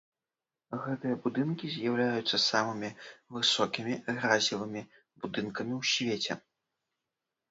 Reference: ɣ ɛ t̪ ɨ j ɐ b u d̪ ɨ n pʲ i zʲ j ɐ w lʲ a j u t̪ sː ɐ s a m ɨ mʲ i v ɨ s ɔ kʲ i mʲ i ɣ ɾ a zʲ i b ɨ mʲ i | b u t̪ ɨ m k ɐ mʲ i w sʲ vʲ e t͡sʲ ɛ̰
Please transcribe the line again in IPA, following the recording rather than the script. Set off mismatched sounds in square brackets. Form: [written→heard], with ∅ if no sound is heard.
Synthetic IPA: ɣ ɛ t̪ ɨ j ɐ b u d̪ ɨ n [pʲ→kʲ] i zʲ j [ɐ→a] w lʲ a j u t̪ sː ɐ s a m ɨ mʲ i v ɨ s ɔ kʲ i mʲ i ɣ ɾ a zʲ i [b→v] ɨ mʲ i | b u [t̪→d̪] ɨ [m→n] k ɐ mʲ i w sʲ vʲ e t͡sʲ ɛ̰